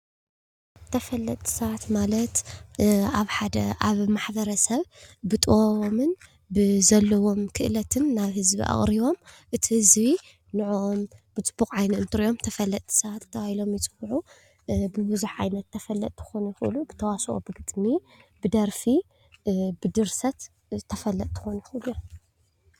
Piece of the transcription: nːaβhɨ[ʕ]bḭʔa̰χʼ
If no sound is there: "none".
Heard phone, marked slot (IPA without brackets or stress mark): z